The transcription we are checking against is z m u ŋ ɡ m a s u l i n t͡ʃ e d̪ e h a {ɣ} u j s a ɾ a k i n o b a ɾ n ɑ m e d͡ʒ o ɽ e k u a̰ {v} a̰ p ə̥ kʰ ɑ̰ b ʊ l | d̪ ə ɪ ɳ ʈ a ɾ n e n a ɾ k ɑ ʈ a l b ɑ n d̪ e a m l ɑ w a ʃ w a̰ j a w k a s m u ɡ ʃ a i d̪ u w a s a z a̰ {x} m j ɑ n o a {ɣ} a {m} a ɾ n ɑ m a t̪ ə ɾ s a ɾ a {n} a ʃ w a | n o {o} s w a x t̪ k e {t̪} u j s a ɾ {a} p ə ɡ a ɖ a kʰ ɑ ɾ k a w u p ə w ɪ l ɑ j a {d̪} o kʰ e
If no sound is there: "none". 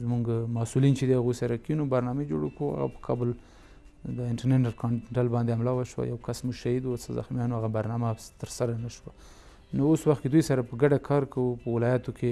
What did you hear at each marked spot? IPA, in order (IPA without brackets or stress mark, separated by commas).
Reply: ɣ, ɣ, x, ɣ, b, n, o, d̪, a, t̪